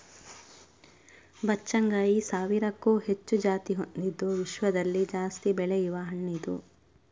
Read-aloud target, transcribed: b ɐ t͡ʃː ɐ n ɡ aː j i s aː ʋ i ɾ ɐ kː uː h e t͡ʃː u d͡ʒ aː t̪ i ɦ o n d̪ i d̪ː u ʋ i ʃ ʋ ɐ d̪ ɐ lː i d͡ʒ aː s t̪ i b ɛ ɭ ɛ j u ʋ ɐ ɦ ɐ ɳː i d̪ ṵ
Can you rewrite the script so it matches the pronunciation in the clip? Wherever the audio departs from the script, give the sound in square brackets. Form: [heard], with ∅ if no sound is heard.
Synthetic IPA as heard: b ɐ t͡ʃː ɐ [ŋ] ɡ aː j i s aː ʋ i ɾ ɐ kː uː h e t͡ʃː u d͡ʒ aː t̪ i ɦ o n d̪ i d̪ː u ʋ i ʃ ʋ ɐ d̪ ɐ lː i d͡ʒ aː s t̪ i b ɛ ɭ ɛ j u ʋ ɐ ɦ ɐ ɳː i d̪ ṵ